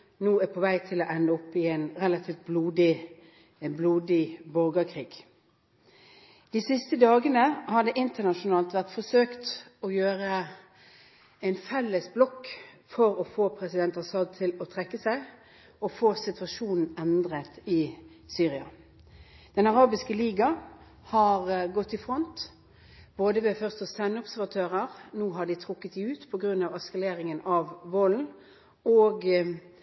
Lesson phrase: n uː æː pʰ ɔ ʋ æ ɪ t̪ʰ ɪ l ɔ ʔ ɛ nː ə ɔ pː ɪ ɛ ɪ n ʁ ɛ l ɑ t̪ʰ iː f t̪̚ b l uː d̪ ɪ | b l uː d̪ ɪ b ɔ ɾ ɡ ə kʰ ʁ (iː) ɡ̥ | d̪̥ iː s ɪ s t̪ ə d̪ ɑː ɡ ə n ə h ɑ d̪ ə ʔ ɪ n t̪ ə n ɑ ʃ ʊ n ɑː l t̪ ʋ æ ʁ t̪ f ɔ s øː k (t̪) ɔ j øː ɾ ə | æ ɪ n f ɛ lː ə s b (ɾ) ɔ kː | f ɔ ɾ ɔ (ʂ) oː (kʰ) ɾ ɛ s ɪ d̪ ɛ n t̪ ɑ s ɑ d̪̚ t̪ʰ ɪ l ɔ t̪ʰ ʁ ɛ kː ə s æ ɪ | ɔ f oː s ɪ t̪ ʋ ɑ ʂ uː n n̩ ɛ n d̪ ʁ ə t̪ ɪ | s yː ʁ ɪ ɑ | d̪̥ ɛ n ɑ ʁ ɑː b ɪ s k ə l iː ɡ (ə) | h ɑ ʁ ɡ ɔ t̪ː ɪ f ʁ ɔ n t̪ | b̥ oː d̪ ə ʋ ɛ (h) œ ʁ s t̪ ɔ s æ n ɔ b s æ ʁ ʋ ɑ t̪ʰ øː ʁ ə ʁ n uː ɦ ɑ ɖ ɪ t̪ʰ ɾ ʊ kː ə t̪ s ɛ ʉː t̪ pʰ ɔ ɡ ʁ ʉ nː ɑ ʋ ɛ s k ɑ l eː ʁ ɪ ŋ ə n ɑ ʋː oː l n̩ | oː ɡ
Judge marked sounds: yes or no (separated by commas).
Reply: yes, yes, no, no, no, no, no